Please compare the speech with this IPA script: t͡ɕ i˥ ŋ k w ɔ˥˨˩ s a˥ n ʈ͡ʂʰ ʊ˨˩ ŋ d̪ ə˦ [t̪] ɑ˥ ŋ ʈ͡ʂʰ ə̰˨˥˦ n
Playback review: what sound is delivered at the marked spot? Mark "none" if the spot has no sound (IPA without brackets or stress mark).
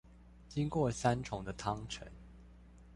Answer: t̪ʰ